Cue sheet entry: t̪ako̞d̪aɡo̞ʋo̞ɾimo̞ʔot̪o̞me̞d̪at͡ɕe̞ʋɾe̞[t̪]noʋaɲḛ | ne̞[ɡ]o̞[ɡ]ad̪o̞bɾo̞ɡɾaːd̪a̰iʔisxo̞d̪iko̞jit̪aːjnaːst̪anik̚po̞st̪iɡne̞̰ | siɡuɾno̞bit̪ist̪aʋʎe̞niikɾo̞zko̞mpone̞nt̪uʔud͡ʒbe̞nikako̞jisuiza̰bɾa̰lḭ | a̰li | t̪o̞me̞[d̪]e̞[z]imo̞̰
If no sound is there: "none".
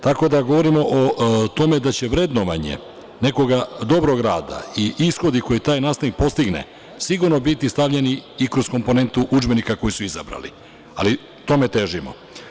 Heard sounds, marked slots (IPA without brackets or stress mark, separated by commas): d̪, k, ɡ, t̪, ʒ